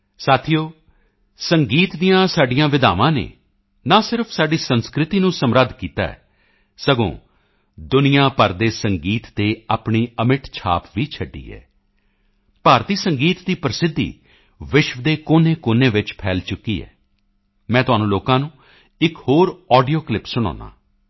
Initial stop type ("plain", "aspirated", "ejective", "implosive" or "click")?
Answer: aspirated